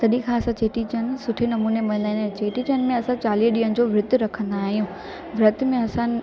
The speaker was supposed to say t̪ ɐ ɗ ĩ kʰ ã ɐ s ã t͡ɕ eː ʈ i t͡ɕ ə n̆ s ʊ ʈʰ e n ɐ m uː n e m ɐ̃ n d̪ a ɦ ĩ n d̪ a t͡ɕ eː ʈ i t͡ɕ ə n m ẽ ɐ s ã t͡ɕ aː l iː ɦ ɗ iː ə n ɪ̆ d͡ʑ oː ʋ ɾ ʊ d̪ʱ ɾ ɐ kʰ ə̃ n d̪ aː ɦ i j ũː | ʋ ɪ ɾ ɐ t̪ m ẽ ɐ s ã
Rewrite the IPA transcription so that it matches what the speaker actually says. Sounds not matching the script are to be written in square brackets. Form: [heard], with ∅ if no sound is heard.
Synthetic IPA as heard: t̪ ɐ ɗ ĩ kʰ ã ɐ s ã t͡ɕ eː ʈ i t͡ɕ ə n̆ s ʊ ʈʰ e n ɐ m uː n e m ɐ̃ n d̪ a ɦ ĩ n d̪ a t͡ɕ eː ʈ i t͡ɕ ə n m ẽ ɐ s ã t͡ɕ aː l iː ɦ ɗ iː ə n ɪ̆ d͡ʑ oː ʋ ɾ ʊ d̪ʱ ɾ ɐ kʰ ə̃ n d̪ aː ɦ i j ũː | ʋ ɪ ɾ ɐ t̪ m ẽ ɐ s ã